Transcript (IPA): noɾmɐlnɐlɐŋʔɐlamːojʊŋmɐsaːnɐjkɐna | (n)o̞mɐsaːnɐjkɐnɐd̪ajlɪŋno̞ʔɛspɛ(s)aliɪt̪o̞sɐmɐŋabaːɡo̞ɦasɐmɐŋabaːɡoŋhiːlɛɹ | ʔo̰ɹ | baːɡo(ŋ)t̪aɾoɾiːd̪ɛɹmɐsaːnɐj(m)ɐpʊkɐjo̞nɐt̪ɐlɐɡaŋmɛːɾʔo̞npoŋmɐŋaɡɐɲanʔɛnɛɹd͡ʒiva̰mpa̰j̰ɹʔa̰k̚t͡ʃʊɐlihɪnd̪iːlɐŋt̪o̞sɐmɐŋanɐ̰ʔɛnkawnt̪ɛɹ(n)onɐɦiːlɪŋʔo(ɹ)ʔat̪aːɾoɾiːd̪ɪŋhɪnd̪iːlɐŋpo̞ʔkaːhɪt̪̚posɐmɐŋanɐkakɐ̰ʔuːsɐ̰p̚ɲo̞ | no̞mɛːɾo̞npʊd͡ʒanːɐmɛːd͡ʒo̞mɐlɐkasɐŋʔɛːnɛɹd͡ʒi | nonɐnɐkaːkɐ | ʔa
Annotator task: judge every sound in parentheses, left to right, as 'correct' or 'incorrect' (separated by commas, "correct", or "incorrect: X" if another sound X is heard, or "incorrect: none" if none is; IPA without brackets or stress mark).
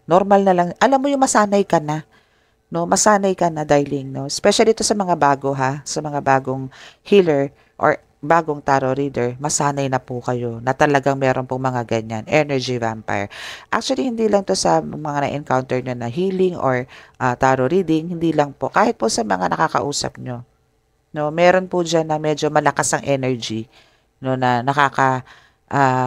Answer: correct, incorrect: ʃ, correct, incorrect: n, incorrect: ɲ, correct